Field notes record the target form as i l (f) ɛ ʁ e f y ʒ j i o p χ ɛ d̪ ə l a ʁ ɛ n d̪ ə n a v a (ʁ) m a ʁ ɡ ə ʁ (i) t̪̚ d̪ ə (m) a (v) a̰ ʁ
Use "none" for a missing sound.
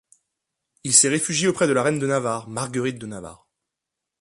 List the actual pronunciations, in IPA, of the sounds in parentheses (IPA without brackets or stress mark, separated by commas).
s, ʁ, i, n, v